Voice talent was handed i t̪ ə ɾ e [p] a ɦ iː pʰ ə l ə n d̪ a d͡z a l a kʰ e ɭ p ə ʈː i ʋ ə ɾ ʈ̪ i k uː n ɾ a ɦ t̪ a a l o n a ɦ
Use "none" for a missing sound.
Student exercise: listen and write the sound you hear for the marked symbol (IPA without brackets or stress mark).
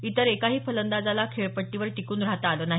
k